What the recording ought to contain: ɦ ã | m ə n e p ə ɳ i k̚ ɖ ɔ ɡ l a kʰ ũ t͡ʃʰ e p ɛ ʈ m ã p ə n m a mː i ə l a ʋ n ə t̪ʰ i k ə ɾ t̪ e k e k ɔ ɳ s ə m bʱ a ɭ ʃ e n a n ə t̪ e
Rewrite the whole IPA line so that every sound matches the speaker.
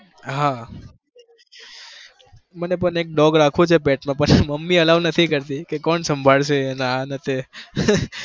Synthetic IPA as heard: ɦ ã | m ə n e p ə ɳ e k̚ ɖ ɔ ɡ ɾ a kʰ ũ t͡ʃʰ e p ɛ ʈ m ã p ə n m ə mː i ə l a ʋ n ə t̪ʰ i k ə ɾ t̪ i k e k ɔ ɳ s ə m bʱ a ɭ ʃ e n a n ə t̪ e